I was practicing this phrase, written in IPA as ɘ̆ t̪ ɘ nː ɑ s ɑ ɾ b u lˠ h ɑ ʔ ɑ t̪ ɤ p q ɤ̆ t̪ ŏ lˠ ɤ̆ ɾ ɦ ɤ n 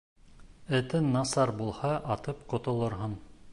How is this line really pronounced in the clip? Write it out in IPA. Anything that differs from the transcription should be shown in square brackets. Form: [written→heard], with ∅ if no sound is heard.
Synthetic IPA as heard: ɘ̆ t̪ ɘ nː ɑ s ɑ ɾ b u lˠ h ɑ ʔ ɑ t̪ ɤ p q [ɤ̆→ŏ] t̪ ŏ lˠ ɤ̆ ɾ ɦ ɤ n